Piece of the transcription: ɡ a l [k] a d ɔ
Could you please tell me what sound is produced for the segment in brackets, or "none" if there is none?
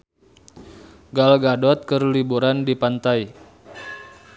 ɡ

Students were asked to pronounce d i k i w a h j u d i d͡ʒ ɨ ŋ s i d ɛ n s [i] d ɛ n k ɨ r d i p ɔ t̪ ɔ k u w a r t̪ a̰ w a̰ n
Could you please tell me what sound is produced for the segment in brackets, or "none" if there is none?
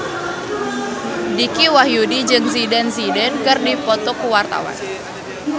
i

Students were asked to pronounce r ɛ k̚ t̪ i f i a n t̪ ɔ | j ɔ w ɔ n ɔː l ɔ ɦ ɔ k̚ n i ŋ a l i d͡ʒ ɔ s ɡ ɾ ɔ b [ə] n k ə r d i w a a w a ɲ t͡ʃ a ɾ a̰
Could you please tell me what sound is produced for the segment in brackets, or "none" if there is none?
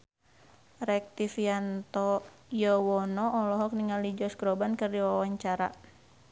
a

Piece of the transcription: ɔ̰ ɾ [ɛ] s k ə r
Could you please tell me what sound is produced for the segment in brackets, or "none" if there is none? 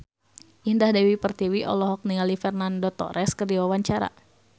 ɛ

